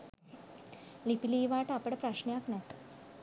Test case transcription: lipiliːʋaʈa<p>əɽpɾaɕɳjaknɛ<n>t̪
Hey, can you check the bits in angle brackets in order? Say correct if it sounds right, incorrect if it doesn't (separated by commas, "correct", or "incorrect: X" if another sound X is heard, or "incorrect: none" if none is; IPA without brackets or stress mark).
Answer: correct, incorrect: none